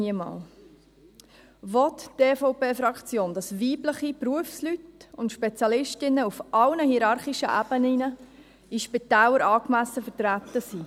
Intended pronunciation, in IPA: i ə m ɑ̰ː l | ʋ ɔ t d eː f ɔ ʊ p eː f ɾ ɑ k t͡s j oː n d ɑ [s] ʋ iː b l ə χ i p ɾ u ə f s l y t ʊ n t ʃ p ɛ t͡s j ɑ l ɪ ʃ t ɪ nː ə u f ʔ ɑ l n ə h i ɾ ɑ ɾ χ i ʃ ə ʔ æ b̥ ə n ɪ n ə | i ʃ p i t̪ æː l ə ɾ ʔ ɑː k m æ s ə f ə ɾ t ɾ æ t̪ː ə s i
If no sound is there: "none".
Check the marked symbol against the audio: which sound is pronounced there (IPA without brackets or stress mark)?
s